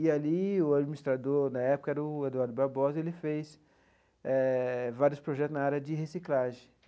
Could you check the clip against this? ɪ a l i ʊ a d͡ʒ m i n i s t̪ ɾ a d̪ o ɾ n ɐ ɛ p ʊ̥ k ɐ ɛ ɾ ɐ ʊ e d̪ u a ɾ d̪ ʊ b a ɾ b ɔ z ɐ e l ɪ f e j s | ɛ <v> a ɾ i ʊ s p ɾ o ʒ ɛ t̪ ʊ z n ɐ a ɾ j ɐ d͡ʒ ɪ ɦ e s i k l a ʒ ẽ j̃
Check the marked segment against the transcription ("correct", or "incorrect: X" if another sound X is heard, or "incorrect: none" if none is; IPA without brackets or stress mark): correct